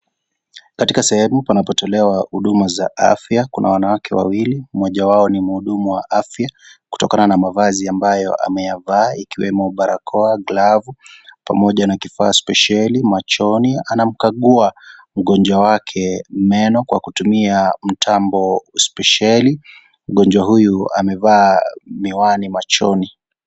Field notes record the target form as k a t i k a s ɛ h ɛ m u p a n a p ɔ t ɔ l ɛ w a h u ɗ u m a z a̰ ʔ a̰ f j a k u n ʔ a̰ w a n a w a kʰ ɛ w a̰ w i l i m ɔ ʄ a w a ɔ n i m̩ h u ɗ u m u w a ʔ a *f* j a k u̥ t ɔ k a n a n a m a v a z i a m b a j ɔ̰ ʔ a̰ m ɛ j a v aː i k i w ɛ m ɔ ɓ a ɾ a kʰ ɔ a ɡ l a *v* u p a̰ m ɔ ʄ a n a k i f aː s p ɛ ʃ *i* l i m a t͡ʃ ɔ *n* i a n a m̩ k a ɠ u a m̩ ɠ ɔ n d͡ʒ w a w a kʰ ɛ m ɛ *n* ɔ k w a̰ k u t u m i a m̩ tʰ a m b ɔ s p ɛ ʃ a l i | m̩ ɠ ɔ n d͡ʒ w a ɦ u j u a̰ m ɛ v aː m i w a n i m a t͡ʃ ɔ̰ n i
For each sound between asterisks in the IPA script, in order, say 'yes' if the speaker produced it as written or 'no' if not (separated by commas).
yes, yes, no, yes, yes